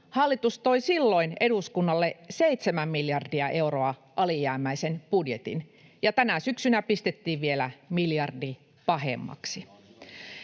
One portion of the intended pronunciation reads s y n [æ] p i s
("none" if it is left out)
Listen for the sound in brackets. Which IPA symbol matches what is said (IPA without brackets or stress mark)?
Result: æ